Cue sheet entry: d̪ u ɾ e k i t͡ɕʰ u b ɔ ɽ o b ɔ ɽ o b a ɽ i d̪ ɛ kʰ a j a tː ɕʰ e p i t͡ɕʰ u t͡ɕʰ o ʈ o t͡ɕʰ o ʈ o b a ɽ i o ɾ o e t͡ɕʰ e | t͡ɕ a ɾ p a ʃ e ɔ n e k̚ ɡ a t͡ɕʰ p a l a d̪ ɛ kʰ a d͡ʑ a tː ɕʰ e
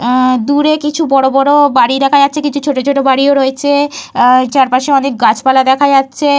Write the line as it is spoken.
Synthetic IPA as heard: d̪ u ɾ e k i t͡ɕʰ u b ɔ ɽ o b ɔ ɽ o b a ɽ i d̪ ɛ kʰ a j a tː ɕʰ e k i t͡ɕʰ u t͡ɕʰ o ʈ o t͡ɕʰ o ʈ o b a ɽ i o ɾ o e t͡ɕʰ e | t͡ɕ a ɾ p a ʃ e ɔ n e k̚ ɡ a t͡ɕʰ p a l a d̪ ɛ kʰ a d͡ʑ a tː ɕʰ e